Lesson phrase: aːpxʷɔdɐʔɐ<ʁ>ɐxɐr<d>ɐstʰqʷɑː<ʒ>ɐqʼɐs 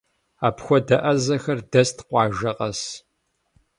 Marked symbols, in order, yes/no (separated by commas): no, yes, yes